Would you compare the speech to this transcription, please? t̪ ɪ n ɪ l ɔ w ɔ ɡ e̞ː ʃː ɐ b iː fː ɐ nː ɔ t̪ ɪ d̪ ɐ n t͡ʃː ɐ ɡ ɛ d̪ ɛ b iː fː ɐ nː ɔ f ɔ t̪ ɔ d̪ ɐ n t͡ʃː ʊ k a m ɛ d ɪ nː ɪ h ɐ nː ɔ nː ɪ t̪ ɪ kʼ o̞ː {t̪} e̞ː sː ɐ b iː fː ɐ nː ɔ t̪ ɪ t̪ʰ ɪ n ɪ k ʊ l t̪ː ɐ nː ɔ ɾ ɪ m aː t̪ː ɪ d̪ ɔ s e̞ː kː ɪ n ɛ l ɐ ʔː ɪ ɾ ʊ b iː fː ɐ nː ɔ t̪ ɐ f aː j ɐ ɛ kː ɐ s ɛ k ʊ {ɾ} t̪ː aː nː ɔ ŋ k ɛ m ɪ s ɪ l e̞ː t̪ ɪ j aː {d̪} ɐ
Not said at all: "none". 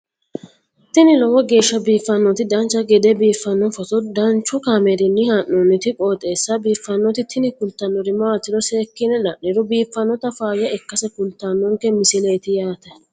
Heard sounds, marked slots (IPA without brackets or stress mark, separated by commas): t̪ʼ, l, t̪